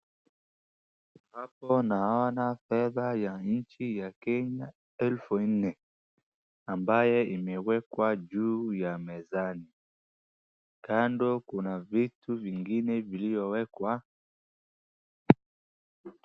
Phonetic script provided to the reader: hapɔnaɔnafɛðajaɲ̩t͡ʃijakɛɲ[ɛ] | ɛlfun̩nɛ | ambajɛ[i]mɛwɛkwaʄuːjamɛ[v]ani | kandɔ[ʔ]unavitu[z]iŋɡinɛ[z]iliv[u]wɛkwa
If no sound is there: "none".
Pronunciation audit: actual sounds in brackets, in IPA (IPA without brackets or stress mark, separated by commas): a, i, z, k, v, v, ɔ